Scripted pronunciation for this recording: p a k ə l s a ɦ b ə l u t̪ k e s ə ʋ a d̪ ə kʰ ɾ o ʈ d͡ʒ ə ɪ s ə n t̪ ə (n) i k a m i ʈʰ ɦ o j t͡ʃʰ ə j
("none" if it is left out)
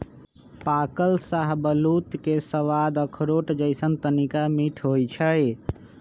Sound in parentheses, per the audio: n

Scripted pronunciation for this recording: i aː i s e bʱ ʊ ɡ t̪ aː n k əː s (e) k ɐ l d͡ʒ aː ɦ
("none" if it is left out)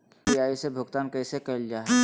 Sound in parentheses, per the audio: e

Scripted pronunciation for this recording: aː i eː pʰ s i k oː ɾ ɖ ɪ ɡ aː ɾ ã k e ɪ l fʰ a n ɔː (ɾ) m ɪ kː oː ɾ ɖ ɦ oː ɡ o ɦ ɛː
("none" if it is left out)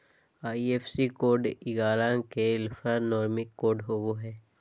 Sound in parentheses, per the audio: ɾ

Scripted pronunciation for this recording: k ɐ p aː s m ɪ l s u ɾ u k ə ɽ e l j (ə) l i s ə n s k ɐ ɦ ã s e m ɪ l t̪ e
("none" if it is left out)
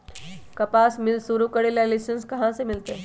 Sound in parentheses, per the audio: a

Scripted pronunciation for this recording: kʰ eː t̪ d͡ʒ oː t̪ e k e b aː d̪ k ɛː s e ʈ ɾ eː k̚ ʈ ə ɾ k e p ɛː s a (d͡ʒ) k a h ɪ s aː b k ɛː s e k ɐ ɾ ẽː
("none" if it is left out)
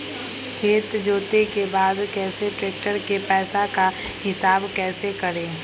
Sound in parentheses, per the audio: none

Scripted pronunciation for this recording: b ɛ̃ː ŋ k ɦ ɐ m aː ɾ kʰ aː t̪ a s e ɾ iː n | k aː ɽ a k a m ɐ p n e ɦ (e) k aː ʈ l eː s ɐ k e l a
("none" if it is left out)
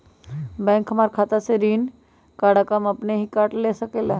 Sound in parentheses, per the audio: i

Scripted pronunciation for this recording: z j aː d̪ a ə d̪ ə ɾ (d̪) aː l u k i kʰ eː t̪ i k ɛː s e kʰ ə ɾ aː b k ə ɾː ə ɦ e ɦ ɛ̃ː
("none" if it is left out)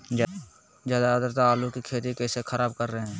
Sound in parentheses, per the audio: t̪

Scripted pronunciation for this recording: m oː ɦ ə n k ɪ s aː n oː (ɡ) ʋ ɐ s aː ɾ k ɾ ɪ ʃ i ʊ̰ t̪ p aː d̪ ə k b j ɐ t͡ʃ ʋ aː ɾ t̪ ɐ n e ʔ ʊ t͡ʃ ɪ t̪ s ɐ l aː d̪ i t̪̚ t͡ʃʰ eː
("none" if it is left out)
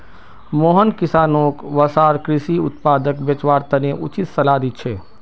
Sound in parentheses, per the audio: k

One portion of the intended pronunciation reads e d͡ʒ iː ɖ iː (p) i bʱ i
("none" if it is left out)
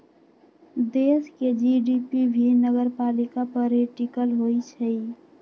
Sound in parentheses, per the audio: p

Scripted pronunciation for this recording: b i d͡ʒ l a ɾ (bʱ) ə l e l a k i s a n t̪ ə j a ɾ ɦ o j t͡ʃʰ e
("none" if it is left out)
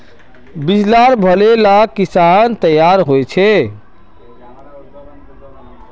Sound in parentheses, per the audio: bʱ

